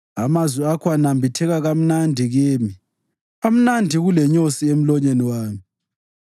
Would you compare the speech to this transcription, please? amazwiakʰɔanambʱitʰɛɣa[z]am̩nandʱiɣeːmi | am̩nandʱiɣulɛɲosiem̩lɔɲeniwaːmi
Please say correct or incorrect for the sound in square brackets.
incorrect